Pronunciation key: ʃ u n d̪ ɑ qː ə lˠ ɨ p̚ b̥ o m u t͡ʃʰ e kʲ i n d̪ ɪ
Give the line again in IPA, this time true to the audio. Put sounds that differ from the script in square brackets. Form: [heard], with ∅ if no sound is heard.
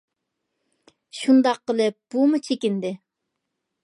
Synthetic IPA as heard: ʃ u n d̪ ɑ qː ə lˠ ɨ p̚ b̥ [u] m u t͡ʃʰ e kʲ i n d̪ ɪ